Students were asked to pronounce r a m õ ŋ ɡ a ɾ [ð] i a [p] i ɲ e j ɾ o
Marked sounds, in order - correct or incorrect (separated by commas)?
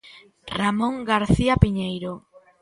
incorrect, correct